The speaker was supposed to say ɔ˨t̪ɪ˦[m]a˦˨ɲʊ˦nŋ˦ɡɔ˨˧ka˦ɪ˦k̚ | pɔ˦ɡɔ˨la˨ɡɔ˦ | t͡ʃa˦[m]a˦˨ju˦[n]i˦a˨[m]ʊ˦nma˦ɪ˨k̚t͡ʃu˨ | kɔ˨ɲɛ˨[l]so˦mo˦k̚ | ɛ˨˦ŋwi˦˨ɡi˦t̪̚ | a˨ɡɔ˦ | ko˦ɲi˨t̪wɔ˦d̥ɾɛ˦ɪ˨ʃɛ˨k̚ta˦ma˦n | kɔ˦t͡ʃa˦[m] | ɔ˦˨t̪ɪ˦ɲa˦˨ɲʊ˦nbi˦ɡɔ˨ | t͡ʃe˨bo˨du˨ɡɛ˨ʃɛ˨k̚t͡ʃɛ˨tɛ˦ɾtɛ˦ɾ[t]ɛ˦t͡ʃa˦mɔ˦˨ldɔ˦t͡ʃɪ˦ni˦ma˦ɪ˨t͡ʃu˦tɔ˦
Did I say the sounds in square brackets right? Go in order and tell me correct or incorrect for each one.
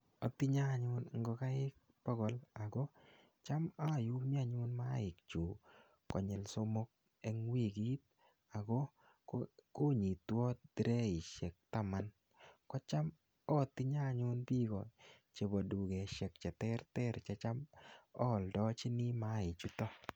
incorrect: ɲ, correct, incorrect: m, incorrect: ɲ, correct, correct, incorrect: t͡ʃ

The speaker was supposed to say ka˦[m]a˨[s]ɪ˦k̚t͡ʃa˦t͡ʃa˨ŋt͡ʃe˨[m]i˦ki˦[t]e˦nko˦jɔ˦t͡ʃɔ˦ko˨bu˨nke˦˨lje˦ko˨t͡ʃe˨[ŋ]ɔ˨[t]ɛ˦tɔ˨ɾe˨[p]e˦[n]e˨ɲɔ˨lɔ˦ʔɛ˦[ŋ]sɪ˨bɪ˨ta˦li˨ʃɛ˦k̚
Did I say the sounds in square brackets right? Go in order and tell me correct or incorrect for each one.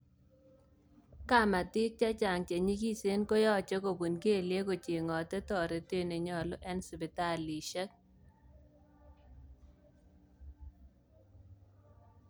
correct, incorrect: t, incorrect: ɲ, incorrect: s, correct, correct, incorrect: t, correct, incorrect: n

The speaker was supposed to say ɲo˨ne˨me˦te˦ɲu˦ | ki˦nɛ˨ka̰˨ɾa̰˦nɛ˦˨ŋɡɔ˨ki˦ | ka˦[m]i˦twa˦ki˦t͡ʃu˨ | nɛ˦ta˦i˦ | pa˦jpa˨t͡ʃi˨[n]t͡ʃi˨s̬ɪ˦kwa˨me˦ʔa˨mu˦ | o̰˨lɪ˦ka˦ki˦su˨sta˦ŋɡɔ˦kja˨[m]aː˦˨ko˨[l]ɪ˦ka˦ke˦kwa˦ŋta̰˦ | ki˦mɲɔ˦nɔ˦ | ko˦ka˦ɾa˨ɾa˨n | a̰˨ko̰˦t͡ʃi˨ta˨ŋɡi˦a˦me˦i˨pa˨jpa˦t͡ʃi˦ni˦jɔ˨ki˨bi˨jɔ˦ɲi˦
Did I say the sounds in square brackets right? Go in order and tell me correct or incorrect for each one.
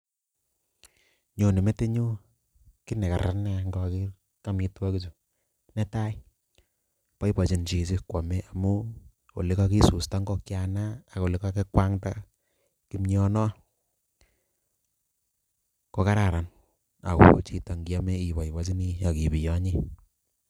correct, correct, incorrect: n, correct

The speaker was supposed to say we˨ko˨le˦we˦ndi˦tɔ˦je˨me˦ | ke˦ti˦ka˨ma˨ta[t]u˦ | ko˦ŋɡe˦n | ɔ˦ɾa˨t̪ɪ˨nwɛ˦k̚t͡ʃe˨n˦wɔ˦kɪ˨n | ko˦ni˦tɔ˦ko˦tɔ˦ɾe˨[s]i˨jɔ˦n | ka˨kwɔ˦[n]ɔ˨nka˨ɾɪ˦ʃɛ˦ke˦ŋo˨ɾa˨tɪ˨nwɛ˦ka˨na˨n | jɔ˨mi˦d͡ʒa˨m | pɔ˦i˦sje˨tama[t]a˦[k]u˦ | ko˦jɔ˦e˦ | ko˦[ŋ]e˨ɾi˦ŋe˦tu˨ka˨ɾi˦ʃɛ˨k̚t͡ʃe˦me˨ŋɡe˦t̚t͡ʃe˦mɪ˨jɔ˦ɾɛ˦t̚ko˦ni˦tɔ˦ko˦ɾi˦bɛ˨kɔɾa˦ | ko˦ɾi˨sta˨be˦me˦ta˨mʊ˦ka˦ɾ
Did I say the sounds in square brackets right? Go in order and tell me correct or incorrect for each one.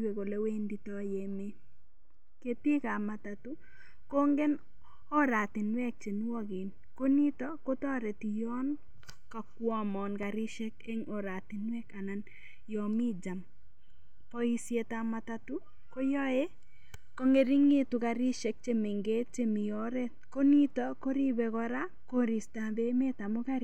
correct, incorrect: t, incorrect: m, correct, incorrect: t, correct

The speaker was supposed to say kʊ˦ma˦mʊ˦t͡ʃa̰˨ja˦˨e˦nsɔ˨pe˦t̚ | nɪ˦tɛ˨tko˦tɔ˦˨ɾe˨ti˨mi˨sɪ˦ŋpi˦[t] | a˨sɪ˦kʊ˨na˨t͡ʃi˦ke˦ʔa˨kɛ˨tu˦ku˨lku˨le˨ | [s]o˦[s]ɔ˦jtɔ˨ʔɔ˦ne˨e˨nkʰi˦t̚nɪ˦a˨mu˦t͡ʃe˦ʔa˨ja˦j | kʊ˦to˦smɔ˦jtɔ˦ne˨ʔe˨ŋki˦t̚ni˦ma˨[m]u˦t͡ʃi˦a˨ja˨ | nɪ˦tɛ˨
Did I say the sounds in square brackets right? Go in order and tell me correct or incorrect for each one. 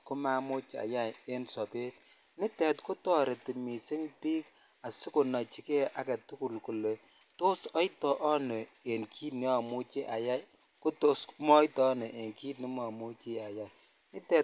incorrect: k, incorrect: t, correct, correct

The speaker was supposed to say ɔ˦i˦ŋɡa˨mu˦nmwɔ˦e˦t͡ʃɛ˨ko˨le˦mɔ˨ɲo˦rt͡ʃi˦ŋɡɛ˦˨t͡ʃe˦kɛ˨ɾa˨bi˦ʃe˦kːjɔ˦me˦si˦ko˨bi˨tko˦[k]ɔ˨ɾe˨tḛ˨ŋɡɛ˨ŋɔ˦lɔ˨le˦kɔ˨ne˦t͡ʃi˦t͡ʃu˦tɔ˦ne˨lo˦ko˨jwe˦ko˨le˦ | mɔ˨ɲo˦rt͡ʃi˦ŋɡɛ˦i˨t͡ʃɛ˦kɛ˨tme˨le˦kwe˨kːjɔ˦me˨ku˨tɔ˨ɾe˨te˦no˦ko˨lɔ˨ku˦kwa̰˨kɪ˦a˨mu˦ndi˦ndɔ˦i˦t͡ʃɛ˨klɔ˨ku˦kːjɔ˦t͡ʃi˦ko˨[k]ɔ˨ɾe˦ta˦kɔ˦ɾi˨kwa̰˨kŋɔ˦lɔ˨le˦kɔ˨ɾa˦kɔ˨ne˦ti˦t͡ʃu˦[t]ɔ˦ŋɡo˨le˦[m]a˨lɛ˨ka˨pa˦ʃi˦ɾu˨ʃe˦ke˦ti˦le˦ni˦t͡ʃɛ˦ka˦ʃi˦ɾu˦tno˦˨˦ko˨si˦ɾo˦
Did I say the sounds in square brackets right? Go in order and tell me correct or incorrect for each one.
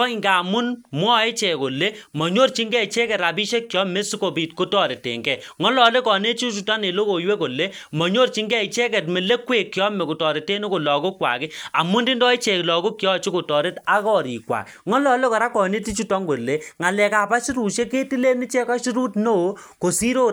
incorrect: t, incorrect: t, correct, incorrect: ŋ

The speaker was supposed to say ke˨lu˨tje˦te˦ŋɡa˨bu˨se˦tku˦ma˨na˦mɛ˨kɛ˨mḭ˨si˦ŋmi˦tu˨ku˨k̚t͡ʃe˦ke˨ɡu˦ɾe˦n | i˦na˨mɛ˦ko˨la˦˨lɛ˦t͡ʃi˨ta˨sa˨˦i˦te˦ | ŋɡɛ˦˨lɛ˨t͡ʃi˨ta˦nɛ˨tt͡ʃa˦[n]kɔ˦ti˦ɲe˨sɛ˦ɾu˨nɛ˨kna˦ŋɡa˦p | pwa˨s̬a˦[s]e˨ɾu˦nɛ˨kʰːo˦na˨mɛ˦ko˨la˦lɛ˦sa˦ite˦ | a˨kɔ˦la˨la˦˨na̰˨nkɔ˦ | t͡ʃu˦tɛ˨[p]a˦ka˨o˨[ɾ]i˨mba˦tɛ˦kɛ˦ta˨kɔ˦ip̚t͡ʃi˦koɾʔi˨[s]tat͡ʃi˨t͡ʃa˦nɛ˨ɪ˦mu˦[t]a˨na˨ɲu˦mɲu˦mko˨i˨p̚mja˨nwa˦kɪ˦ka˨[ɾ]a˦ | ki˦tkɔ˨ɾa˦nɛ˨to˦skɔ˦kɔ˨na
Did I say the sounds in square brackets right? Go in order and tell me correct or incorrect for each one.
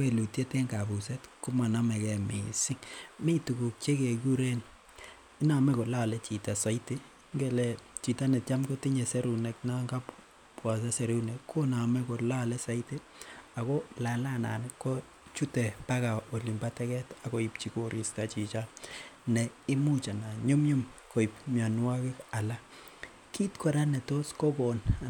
incorrect: m, correct, correct, incorrect: l, correct, incorrect: t͡ʃ, incorrect: l

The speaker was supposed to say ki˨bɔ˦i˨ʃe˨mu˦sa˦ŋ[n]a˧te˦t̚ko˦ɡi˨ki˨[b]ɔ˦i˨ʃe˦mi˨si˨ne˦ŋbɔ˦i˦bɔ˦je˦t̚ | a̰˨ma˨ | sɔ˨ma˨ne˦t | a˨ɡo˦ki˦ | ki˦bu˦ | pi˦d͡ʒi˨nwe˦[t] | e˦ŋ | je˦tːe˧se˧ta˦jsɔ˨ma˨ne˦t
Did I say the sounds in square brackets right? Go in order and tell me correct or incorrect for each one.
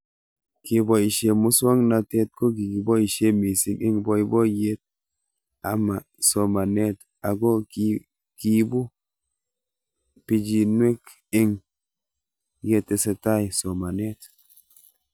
correct, correct, incorrect: k

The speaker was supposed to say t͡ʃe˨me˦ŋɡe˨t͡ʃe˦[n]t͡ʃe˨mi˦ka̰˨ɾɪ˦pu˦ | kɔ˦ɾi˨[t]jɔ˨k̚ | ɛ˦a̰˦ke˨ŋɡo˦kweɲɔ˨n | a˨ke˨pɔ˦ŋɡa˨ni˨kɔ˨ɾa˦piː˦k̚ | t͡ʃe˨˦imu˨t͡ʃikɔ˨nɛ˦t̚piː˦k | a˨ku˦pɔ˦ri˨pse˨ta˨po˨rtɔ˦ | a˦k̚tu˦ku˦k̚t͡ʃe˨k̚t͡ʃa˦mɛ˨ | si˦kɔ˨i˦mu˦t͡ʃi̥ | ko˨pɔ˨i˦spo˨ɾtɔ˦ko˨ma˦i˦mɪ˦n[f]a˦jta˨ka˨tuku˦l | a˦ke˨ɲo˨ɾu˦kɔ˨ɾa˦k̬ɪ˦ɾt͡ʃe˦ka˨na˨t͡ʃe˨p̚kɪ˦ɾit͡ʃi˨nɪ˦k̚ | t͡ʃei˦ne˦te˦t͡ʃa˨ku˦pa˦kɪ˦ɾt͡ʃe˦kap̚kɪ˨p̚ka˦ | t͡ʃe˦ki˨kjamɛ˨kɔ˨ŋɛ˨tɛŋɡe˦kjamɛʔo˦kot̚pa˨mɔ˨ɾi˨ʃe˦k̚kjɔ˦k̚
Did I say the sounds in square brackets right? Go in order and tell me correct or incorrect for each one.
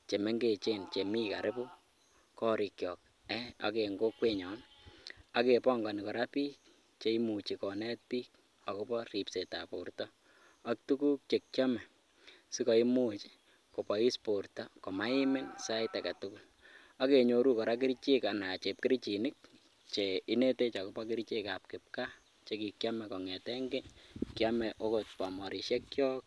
correct, incorrect: k, incorrect: s

